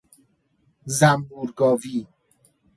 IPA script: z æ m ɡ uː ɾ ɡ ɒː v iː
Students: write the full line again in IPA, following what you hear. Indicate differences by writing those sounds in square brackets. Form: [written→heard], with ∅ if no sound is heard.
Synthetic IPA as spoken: z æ m [ɡ→b] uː ɾ ɡ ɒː v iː

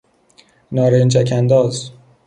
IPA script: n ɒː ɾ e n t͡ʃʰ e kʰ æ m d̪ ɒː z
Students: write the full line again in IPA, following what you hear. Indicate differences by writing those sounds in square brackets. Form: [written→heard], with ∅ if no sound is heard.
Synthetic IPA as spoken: n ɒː ɾ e n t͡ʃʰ [e→æ] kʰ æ [m→n] d̪ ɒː z

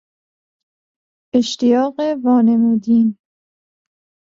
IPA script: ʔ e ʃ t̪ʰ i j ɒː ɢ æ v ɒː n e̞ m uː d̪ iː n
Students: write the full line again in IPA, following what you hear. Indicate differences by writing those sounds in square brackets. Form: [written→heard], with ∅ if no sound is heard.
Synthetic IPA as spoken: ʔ e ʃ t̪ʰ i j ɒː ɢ [æ→e] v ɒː n e̞ m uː d̪ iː n

